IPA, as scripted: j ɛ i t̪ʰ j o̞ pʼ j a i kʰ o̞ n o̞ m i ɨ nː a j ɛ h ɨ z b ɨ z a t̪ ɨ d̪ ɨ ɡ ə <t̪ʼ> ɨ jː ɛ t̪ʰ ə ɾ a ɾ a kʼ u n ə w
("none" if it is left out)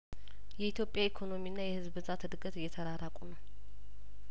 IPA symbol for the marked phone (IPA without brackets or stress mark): t̪